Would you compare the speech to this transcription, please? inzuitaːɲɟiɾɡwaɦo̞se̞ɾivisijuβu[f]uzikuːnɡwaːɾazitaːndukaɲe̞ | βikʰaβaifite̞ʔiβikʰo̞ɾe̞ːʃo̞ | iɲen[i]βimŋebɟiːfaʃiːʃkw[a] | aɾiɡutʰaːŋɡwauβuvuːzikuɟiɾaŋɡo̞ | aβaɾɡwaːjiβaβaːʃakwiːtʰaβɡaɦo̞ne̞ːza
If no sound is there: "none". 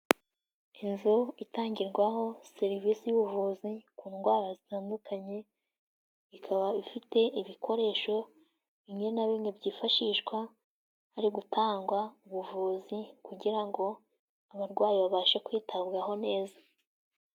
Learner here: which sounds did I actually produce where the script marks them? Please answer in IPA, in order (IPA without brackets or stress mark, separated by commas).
v, a, a